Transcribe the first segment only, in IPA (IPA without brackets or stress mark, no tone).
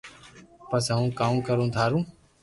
p